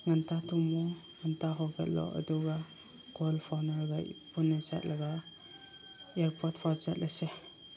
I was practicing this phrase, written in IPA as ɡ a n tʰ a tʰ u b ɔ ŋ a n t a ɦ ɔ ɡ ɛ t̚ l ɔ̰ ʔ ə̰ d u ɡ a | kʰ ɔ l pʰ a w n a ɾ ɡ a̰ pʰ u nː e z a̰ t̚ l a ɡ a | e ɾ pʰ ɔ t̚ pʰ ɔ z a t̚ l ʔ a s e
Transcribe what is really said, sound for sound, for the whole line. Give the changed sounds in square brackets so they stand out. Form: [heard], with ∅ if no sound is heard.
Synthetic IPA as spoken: [ŋ] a n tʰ a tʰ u [m] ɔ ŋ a n t a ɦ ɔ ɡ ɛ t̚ l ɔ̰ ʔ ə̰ d u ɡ a | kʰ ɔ l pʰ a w n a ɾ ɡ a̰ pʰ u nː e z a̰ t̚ l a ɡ a | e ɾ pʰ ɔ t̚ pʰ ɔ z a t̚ l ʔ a s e